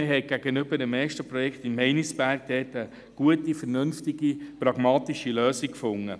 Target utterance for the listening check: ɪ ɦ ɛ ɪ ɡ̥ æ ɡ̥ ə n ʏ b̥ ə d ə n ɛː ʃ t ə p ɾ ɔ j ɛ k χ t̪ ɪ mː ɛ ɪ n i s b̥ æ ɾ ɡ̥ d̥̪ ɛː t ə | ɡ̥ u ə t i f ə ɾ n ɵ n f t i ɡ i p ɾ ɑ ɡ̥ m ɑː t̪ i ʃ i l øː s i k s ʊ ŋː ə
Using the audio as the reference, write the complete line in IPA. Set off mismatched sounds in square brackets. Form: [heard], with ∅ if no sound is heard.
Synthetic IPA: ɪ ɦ ɛ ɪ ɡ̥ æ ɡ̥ ə n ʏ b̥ ə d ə [m] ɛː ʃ t ə p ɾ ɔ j ɛ k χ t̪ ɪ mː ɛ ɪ n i s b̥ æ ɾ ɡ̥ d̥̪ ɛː t ə | ɡ̥ u ə t i f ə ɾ n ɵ n f t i ɡ i p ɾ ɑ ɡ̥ m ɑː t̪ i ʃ i l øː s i k [f] ʊ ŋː ə